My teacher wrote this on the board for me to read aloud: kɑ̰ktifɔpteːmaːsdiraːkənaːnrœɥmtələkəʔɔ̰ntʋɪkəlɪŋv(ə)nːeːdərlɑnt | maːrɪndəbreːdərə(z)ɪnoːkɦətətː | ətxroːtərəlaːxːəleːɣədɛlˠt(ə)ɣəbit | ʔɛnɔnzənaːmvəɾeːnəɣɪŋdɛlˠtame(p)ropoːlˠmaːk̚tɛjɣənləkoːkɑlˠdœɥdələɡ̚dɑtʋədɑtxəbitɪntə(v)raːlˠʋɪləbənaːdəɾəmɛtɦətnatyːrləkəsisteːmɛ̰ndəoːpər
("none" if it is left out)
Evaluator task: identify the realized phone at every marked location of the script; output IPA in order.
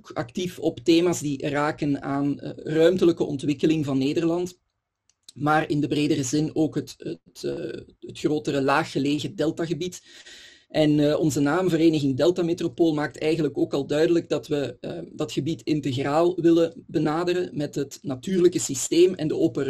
ɑ, z, a, t, ɣ

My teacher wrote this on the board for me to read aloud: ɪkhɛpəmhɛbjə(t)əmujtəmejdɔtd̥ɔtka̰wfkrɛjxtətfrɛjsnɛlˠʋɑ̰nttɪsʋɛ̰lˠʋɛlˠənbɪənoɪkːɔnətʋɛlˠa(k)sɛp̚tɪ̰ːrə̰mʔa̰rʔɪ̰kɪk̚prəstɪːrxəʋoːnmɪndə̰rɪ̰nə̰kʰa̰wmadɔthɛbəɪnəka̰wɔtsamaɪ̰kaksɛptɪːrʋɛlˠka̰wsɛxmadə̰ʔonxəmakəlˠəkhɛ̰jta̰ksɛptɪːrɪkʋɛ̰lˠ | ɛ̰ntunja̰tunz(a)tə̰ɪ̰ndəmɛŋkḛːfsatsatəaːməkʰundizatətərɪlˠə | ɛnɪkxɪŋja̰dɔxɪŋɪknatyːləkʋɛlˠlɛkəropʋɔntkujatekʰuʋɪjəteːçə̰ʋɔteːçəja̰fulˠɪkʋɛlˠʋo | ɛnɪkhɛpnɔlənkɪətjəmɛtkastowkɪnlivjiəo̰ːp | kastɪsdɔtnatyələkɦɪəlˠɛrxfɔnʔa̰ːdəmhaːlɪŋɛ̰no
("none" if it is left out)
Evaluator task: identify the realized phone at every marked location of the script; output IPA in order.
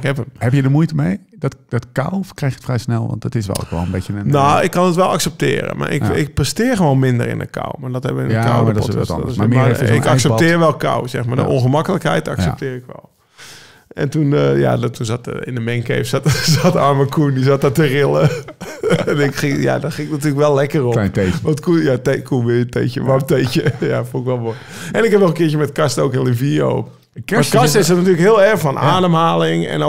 d, k, a

